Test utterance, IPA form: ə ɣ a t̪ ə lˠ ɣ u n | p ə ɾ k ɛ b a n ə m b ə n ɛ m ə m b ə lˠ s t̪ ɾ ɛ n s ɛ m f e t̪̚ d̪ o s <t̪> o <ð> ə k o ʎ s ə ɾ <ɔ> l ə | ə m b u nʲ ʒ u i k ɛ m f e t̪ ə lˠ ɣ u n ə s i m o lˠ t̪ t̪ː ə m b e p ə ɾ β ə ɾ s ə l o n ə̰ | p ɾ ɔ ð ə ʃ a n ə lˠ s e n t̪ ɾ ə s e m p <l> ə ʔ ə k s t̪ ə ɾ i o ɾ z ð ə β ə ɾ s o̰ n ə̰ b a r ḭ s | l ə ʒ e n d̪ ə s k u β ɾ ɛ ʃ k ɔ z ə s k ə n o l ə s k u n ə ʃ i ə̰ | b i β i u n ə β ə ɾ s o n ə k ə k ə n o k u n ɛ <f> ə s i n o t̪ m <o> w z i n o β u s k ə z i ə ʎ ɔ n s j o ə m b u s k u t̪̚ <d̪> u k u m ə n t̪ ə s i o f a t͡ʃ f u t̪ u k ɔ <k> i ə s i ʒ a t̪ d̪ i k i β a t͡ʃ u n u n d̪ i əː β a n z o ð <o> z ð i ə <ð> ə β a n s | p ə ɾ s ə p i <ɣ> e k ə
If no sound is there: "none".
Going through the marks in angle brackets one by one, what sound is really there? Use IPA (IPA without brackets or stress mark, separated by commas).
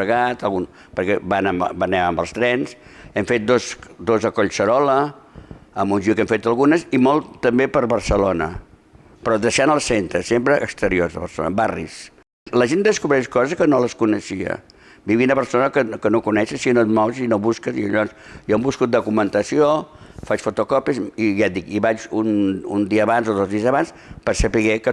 d̪, z, ɔ, ɾ, ʃ, ɔ, d̪, p, o, z, ɣ